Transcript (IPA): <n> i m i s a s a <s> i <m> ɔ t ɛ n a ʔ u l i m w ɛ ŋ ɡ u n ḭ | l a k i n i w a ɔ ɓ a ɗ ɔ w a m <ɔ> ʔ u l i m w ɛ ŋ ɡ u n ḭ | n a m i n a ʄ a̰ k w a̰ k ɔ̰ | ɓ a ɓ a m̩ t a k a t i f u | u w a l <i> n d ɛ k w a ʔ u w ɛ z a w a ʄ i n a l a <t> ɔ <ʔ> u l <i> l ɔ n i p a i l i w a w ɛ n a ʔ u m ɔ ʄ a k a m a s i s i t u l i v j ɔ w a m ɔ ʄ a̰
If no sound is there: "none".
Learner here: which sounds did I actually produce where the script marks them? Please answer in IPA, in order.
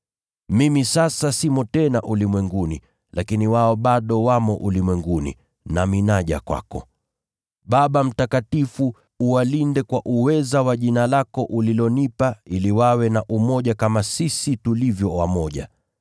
m, s, m, ɔ, i, k, ʔ, i

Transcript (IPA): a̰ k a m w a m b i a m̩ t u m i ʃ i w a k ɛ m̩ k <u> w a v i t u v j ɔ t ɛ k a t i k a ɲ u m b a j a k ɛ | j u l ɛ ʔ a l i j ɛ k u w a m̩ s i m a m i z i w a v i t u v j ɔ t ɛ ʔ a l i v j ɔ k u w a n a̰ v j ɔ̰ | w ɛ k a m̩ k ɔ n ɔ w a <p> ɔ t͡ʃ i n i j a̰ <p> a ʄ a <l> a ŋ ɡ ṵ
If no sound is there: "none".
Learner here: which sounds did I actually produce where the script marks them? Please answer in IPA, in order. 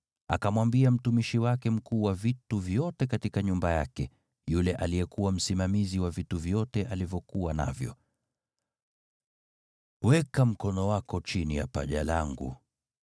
uː, k, p, l

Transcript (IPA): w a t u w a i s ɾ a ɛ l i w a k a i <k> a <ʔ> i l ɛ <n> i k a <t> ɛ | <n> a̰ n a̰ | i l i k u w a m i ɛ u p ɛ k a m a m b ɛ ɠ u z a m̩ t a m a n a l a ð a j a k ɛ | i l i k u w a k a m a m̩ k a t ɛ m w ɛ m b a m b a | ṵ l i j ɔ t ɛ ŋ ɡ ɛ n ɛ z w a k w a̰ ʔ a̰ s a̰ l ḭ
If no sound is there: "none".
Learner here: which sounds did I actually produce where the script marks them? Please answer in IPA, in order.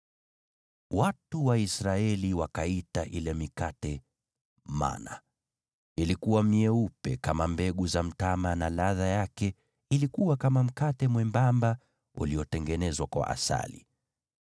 t, ʔ, m, t, m

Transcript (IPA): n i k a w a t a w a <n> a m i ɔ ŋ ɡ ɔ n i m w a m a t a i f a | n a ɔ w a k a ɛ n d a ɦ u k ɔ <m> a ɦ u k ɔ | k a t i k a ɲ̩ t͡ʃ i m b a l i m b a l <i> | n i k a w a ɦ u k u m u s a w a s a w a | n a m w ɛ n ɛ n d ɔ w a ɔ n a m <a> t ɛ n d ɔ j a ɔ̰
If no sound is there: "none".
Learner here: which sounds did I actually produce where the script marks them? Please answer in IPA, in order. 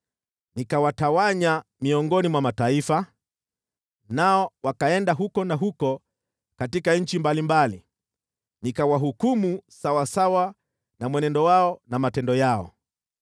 ɲ, n, i, a

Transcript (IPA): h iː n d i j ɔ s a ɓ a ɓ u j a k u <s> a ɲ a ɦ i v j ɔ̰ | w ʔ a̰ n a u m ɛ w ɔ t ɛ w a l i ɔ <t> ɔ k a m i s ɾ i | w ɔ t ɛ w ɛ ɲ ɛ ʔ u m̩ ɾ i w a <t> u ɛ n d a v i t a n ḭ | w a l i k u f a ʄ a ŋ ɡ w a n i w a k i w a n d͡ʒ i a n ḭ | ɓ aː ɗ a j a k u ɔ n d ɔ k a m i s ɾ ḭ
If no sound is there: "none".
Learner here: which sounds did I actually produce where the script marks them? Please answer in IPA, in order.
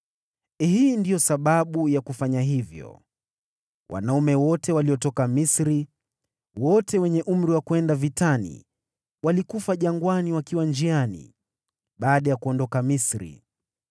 f, t, k

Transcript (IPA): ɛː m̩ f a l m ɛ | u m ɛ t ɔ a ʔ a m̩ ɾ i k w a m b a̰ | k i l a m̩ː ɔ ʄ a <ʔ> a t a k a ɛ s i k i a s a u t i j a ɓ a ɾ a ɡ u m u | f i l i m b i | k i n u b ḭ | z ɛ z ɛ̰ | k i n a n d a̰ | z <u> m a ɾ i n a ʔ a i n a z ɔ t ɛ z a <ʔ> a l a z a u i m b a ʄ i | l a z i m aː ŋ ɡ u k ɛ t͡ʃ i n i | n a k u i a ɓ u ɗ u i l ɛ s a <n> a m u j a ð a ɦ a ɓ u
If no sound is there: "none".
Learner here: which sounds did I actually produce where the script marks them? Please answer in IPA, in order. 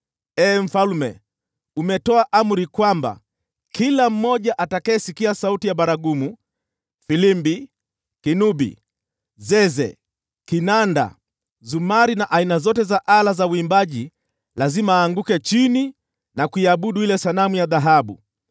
ʔ, u, ʔ, n

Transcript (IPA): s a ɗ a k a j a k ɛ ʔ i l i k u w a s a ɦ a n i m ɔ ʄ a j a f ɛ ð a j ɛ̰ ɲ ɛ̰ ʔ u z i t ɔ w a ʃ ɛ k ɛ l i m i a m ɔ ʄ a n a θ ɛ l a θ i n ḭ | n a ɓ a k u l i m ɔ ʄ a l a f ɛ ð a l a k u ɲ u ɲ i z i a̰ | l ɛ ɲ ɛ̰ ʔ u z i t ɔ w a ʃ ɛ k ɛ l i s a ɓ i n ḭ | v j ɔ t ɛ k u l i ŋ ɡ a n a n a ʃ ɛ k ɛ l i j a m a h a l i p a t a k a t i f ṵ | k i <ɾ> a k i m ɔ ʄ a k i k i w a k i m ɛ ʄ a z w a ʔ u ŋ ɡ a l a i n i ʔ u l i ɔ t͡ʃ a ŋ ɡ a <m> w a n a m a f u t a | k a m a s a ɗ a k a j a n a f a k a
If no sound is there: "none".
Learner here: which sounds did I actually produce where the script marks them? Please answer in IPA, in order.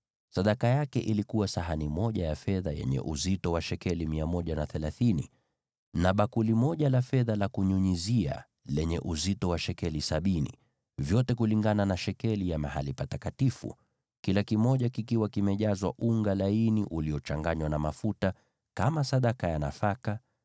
l, ɲ

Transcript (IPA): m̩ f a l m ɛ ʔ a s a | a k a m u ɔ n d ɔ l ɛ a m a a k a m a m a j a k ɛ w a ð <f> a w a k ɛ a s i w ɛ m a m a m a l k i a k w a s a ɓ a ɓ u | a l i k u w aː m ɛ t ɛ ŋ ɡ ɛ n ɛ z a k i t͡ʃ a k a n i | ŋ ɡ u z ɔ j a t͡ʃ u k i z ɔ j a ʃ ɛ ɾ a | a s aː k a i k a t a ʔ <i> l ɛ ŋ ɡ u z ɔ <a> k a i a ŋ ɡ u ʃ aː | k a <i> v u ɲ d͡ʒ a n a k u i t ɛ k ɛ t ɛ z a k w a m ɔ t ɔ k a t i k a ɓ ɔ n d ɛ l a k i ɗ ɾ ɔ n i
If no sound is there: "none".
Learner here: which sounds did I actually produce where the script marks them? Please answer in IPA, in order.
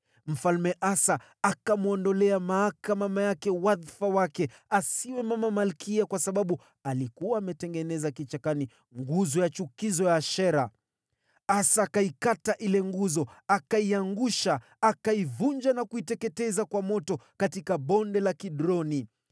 f, i, a, i

